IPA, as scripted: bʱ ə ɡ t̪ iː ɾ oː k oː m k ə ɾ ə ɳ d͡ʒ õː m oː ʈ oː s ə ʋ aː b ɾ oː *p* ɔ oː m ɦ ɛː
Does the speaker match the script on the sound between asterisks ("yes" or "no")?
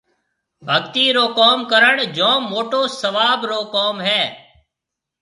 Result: no